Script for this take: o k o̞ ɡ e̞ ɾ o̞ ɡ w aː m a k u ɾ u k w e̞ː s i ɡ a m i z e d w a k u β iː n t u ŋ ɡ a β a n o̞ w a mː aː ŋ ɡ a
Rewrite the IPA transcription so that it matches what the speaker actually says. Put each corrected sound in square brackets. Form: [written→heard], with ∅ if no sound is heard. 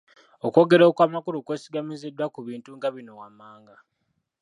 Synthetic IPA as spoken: o k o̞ ɡ e̞ ɾ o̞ [ɡ→k] w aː m a k u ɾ u k w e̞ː s i ɡ a m i z e d w a k u β iː n t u ŋ ɡ a β [a→i] n o̞ w a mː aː ŋ ɡ a